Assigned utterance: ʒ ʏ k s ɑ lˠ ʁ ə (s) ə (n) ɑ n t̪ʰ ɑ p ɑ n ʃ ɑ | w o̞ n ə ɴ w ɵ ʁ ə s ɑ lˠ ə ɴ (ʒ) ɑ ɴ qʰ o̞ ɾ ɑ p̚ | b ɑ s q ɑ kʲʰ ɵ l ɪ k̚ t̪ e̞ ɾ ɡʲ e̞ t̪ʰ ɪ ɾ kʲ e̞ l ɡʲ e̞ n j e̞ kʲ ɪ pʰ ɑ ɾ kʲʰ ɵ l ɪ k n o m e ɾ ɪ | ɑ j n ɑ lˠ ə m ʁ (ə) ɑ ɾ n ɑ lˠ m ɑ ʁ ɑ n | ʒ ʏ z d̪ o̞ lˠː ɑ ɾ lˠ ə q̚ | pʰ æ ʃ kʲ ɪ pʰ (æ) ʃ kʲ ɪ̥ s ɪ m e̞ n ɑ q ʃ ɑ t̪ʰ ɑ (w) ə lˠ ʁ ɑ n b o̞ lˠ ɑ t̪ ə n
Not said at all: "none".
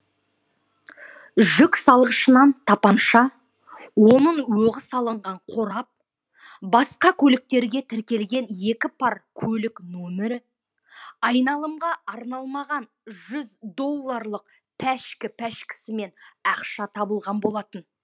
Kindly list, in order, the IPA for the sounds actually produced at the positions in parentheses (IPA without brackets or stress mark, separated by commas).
ʃ, n, ʁ, ɑ, æ, b